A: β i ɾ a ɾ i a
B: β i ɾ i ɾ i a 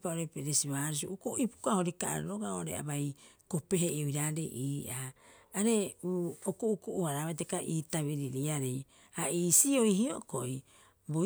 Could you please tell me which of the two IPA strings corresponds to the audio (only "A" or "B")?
B